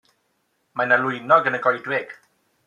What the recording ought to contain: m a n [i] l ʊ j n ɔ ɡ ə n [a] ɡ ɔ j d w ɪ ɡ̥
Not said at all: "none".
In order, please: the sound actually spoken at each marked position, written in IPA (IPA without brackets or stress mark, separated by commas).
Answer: a, ə